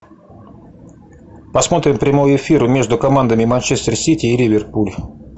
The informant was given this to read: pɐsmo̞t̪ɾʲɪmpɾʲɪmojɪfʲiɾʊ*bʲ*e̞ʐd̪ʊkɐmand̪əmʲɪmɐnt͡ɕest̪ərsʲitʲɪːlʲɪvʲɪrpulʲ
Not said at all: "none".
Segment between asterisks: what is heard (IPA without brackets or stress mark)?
mʲ